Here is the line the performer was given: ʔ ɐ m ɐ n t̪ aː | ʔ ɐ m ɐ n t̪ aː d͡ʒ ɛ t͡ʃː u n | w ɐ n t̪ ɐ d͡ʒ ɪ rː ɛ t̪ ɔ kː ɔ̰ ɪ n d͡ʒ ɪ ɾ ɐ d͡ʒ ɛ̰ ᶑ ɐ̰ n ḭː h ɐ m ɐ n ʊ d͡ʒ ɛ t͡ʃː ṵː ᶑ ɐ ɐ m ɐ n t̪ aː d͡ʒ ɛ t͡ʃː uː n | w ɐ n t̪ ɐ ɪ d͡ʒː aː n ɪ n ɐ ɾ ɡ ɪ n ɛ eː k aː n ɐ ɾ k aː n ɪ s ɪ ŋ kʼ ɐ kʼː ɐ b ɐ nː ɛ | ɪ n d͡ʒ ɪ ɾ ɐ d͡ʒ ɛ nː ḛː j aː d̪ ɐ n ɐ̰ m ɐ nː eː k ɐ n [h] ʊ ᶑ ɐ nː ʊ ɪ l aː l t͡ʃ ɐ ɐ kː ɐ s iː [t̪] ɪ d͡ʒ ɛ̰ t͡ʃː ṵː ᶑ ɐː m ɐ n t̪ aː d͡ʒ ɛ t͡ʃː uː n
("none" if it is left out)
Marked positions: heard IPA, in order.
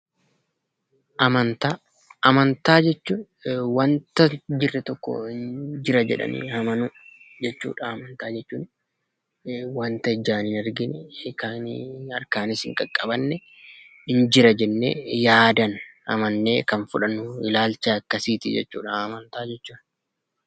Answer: f, t̪

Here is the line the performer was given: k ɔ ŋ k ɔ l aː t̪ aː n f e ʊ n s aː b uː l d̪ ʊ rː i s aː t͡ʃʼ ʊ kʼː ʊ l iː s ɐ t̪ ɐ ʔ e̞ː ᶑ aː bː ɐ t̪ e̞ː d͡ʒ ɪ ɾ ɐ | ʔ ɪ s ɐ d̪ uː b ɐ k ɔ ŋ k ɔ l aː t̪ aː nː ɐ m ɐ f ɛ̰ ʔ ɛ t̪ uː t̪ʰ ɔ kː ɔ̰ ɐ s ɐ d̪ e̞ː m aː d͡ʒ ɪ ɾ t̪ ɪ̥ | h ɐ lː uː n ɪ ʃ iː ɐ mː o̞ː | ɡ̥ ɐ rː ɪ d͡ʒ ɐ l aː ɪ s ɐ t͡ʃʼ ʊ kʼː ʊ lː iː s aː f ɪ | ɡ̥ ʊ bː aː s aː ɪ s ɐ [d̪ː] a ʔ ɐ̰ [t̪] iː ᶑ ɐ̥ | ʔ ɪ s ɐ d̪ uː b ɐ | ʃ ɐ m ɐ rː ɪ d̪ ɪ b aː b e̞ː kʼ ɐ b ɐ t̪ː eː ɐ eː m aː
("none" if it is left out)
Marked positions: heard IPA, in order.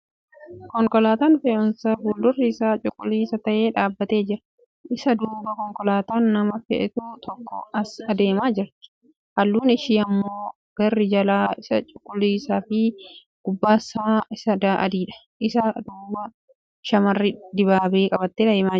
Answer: d̪, d̪

